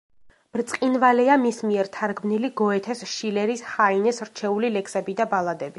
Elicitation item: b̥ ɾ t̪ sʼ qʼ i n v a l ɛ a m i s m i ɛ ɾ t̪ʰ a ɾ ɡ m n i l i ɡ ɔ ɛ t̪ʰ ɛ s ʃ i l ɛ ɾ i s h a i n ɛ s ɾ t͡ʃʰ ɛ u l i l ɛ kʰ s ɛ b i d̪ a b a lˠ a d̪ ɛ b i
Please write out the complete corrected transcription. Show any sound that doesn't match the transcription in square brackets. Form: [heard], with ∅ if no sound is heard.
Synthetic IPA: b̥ ɾ t̪ sʼ qʼ i n v a l ɛ a m i s m i ɛ ɾ t̪ʰ a ɾ ɡ m n i l i ɡ ɔ ɛ t̪ʰ ɛ s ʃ i l ɛ ɾ i s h a i n ɛ s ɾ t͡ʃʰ ɛ u l i l ɛ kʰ s ɛ b i d̪ a b a lˠ a d̪ ɛ b i